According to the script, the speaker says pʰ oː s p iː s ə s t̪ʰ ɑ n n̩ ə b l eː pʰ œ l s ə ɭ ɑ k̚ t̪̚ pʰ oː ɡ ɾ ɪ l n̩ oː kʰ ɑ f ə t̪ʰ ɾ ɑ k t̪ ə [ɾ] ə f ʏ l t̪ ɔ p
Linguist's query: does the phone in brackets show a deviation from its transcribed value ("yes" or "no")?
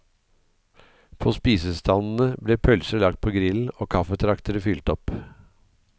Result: no